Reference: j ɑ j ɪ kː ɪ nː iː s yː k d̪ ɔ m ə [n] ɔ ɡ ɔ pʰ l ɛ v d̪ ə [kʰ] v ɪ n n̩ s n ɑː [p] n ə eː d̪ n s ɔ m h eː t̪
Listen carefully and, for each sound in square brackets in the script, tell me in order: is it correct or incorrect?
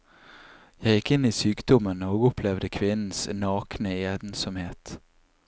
correct, correct, incorrect: k

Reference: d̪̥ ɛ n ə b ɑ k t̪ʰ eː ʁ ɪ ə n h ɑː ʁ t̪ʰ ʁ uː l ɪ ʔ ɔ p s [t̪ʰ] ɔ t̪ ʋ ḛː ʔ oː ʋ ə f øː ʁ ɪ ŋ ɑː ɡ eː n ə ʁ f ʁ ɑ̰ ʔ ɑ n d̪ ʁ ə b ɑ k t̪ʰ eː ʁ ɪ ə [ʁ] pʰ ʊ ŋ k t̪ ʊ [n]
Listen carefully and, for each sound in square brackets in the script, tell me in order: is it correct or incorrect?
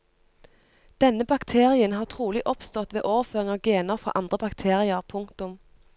incorrect: t̪, correct, incorrect: m

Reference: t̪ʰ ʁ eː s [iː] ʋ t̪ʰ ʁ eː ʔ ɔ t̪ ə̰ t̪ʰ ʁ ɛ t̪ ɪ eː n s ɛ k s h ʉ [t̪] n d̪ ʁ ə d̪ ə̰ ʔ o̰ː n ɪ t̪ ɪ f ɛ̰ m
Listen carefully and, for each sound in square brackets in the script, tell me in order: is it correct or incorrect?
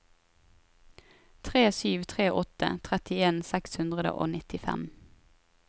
incorrect: yː, incorrect: none

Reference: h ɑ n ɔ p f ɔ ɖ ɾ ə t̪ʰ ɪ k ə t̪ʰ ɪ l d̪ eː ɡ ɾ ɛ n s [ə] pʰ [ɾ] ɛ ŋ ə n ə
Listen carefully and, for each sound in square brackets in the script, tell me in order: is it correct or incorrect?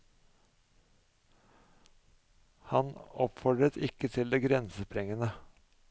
correct, correct

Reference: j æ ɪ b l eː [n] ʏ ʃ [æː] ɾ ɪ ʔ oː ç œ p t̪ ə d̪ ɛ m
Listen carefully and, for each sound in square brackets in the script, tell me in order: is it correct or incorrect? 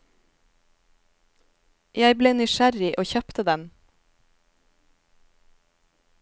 correct, incorrect: æ

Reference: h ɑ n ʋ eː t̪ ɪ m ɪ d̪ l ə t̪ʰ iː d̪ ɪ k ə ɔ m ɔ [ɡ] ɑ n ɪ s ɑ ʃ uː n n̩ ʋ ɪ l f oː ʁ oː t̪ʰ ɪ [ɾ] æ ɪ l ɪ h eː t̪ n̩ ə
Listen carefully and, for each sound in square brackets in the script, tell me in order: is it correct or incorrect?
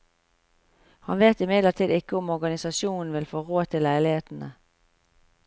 correct, incorrect: l

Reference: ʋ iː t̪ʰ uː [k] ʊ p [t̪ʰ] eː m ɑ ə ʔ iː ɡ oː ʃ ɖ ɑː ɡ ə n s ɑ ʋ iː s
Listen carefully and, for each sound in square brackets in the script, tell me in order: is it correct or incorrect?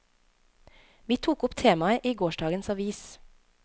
correct, correct

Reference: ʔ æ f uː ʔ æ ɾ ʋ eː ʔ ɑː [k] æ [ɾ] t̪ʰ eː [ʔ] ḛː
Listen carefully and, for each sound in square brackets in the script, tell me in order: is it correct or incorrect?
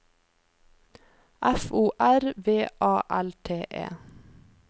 incorrect: ʔ, incorrect: l, correct

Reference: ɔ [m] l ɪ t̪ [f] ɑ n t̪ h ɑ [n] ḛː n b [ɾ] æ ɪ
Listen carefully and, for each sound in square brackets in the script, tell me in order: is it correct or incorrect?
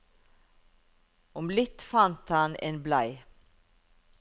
correct, correct, correct, incorrect: l

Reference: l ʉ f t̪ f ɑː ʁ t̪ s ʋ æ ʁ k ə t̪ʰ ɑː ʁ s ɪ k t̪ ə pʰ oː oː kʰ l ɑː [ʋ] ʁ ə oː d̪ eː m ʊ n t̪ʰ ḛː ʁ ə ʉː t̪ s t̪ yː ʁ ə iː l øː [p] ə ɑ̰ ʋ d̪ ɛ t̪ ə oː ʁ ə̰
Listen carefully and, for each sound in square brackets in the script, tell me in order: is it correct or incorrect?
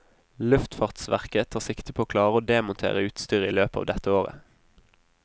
incorrect: none, correct

